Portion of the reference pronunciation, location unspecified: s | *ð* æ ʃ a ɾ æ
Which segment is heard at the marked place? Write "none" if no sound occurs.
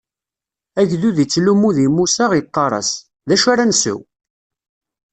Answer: ð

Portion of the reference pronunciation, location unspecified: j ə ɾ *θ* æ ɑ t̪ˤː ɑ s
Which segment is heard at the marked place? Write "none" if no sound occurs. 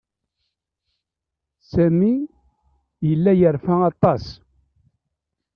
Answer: f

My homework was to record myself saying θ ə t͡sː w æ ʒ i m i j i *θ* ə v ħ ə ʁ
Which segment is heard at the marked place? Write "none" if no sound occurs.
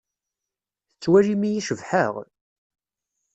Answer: ʃ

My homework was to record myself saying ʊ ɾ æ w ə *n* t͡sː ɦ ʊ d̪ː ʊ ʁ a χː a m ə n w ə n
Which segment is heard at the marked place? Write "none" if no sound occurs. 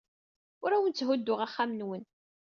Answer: n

